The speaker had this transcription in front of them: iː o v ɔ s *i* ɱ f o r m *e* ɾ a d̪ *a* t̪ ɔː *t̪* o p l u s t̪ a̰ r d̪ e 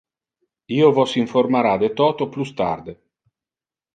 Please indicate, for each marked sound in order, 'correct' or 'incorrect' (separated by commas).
correct, incorrect, incorrect, correct